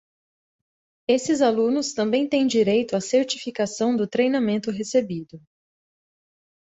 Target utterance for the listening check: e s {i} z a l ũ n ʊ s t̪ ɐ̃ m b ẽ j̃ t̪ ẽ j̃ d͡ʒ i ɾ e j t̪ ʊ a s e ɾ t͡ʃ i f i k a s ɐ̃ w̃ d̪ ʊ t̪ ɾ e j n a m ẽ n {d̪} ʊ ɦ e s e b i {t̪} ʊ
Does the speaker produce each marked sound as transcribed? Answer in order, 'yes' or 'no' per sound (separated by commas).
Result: no, no, no